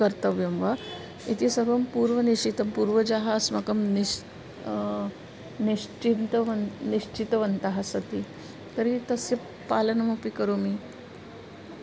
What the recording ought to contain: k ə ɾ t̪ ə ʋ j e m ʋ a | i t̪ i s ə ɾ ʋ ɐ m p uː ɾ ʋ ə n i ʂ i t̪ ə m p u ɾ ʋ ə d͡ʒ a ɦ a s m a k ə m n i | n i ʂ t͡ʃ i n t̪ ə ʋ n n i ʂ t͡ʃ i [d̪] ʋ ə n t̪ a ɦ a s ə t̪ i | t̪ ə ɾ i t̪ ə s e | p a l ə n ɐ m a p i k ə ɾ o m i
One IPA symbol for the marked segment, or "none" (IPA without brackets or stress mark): t̪